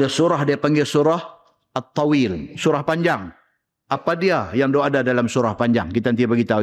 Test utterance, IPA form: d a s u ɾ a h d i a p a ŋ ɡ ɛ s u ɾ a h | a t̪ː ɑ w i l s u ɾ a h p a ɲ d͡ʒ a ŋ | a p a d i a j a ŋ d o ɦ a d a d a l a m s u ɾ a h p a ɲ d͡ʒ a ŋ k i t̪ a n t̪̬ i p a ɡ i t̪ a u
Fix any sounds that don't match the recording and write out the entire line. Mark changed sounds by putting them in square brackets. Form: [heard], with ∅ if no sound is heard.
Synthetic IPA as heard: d a s u ɾ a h d i a p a ŋ ɡ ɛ s u ɾ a h | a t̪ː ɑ w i l s u ɾ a h p a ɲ d͡ʒ a ŋ | a p a d i a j a ŋ d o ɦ a d a d a l a m s u ɾ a h p a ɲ d͡ʒ a ŋ k i t̪ a n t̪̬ i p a ɡ i t̪ a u